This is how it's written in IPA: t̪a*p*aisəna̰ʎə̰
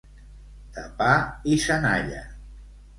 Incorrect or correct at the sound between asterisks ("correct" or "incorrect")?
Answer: correct